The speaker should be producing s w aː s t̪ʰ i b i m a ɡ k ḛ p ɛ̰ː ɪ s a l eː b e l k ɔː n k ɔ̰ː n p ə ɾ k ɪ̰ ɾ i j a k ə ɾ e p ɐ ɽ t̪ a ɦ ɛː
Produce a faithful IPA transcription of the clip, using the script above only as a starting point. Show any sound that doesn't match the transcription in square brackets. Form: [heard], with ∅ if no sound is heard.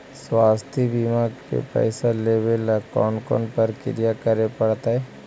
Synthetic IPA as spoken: s w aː s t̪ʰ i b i m a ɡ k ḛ p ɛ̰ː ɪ s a l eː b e l k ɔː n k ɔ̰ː n p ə ɾ k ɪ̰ ɾ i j a k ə ɾ e p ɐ ɽ t̪ a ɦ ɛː